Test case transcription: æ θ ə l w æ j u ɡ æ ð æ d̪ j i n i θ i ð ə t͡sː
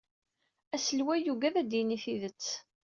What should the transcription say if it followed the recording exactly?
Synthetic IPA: æ s ə l w æ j u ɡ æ ð æ d̪ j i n i θ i ð ə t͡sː

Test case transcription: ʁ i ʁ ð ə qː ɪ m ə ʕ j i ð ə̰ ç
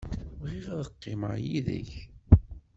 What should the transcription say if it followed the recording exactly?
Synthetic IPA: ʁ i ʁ ð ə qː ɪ m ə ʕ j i ð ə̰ ç

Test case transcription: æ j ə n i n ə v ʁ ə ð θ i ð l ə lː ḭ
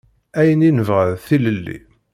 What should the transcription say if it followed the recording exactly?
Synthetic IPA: æ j ə n i n ə v ʁ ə ð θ i l ə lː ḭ

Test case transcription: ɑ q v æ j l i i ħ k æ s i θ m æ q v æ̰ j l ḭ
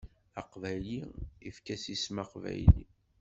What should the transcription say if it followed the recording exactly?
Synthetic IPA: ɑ q v æ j l i i f k æ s i s m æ q v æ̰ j l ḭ

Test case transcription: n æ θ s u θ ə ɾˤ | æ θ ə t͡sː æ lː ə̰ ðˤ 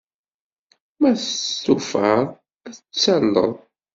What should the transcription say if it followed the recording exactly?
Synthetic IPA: m æ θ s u f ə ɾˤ | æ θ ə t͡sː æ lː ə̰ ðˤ

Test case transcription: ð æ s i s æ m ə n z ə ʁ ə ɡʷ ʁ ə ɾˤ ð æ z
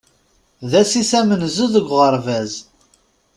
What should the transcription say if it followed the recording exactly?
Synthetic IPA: ð æ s i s æ m ə n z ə ð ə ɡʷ ʁ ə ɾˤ v æ z

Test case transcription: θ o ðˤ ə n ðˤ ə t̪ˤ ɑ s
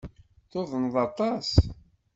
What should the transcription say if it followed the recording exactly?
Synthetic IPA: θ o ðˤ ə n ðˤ ɑ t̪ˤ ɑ s

